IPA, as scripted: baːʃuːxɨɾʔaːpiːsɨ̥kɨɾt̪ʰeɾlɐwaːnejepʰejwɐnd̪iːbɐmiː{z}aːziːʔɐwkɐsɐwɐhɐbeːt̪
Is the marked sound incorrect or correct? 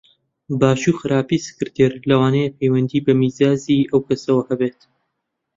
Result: correct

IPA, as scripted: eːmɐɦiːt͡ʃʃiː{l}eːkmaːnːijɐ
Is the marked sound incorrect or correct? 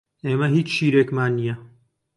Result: incorrect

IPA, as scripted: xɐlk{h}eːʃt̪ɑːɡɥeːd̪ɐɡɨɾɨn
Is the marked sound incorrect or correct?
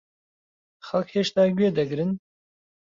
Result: correct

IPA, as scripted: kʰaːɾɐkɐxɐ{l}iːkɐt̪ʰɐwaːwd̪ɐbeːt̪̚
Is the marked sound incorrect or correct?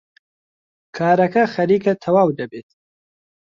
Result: incorrect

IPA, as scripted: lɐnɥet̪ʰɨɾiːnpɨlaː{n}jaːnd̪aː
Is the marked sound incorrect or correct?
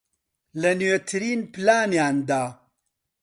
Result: correct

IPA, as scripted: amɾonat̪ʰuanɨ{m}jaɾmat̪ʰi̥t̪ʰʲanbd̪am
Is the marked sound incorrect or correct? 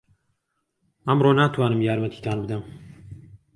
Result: correct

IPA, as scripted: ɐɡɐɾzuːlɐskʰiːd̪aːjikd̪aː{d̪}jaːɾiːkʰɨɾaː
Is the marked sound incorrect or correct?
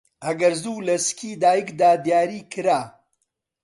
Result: correct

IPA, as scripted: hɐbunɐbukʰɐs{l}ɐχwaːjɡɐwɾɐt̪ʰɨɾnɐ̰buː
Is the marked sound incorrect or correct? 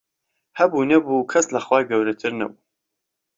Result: correct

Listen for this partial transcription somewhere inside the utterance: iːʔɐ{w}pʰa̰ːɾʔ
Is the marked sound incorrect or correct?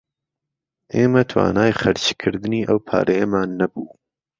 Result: correct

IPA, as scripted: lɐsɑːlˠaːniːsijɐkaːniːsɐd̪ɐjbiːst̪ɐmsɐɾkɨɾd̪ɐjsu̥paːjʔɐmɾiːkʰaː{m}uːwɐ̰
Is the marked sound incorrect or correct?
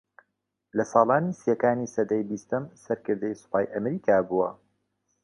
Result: incorrect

